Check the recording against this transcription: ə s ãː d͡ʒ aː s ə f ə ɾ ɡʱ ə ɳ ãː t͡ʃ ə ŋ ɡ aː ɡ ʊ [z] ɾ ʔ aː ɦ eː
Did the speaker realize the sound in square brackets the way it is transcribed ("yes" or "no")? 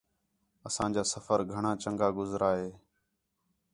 yes